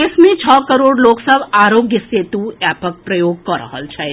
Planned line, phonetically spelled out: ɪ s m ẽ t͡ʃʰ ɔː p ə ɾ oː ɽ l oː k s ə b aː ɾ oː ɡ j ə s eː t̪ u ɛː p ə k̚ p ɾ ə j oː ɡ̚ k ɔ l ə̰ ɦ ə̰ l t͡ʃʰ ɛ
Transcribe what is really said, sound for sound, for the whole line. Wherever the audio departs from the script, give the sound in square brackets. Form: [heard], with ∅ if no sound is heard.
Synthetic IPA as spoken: ɪ s m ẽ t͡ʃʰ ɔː [k] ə ɾ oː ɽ l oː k s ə b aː ɾ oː ɡ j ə s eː t̪ u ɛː p ə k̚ p ɾ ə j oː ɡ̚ k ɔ [ɾ] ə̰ ɦ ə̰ l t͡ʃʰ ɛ